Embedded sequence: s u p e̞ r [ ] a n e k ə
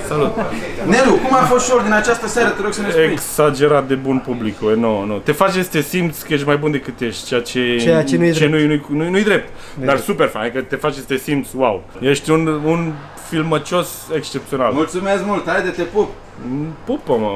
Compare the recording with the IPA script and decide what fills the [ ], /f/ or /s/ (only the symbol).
f